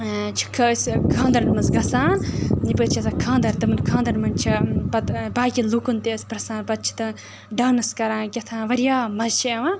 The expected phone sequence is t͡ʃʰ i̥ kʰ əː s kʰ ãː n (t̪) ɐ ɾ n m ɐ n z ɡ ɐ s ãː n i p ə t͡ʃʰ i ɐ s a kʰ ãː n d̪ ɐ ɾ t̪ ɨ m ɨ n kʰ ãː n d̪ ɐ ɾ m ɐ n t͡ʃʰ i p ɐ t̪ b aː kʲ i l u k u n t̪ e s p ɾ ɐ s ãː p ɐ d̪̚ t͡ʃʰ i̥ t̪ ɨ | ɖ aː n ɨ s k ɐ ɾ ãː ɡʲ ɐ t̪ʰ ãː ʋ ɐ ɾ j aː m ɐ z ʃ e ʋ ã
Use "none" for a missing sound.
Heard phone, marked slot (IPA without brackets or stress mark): d̪